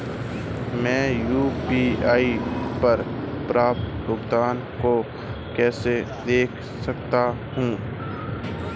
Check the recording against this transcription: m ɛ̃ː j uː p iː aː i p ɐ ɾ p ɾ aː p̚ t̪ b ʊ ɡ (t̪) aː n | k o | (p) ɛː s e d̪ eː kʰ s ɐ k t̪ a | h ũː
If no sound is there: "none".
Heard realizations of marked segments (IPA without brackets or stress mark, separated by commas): d̪, k